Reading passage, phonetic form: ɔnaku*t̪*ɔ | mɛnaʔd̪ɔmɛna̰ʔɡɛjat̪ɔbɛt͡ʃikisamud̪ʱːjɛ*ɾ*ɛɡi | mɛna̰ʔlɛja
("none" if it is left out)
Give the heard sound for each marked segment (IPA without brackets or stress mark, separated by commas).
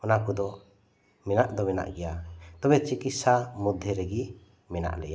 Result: d̪, ɾ